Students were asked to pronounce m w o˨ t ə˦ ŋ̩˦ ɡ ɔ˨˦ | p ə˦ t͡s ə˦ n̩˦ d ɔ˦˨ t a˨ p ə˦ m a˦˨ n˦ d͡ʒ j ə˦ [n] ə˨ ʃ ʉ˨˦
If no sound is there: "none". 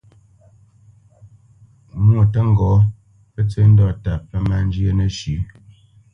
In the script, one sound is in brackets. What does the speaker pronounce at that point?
n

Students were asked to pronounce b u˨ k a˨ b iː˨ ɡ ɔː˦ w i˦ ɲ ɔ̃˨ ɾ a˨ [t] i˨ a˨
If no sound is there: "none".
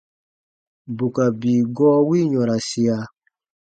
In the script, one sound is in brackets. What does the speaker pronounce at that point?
s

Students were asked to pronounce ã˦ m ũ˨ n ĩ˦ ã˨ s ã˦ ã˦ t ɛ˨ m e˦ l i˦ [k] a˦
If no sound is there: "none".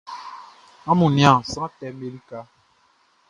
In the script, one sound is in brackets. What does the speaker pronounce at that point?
k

